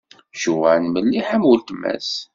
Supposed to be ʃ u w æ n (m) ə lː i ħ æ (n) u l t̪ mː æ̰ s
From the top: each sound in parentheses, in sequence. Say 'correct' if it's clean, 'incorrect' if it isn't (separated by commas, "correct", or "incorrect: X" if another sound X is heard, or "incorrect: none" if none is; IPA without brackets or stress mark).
correct, incorrect: m